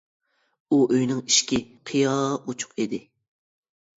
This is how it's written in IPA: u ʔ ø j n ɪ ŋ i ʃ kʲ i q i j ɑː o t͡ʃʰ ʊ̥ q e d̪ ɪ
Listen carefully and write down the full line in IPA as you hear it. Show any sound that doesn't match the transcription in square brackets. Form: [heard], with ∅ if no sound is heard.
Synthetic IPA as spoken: u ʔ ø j n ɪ ŋ i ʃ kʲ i [qʰ] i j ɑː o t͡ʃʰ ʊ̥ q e d̪ ɪ